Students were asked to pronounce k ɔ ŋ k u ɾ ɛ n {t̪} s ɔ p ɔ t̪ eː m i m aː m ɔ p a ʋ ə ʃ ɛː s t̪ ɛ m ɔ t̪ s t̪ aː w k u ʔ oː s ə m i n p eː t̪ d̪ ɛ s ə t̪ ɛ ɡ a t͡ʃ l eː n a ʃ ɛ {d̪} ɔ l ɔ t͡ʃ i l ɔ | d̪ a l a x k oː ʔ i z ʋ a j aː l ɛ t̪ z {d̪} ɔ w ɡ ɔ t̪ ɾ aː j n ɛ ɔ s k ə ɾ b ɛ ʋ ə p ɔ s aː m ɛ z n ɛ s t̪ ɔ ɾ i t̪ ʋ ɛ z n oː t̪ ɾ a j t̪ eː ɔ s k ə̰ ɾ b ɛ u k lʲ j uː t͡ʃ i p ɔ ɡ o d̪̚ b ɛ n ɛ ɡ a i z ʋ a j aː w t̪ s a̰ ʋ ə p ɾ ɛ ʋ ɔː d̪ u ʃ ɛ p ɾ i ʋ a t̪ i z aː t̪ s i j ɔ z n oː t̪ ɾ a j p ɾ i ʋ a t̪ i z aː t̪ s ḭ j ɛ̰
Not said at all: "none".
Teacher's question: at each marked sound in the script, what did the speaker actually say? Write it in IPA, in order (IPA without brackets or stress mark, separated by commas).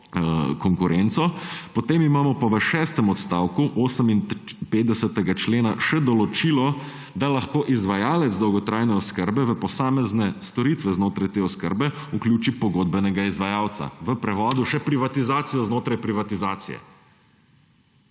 t̪, d̪, d̪